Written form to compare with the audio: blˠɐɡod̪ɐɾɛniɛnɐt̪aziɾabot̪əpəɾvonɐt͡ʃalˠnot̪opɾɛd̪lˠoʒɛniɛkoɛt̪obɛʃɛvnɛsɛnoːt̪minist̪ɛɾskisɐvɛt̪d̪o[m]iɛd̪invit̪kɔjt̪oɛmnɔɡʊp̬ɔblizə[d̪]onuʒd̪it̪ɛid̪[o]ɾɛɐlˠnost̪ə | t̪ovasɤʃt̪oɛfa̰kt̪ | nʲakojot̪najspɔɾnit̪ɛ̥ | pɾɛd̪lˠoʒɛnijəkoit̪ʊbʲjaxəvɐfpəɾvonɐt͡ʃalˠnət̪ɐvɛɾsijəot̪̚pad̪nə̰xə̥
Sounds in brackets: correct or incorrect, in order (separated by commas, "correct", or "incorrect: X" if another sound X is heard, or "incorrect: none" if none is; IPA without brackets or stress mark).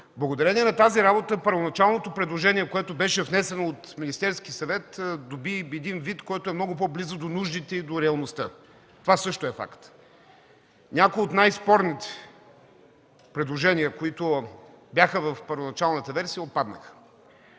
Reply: incorrect: b, correct, correct